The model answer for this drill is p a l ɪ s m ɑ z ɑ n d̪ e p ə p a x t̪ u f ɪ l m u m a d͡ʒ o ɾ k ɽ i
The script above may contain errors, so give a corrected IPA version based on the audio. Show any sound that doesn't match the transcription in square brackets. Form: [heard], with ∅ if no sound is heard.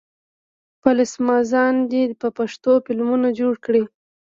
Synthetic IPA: p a l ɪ s m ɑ z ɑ n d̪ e p ə p a [ʂ] t̪ [o] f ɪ l m u [n] a d͡ʒ o [ɽ] k ɽ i